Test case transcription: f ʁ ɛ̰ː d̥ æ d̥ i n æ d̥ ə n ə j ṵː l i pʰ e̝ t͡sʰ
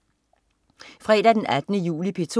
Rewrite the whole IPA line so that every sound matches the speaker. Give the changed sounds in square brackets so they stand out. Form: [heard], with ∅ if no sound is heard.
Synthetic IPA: f ʁ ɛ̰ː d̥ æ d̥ [e] n æ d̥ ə n ə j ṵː l i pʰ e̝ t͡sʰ